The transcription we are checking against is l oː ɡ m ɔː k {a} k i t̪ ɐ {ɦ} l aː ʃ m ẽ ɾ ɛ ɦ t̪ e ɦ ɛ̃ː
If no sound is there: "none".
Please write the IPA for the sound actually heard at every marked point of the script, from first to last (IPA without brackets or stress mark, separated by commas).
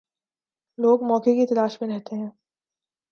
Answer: e, none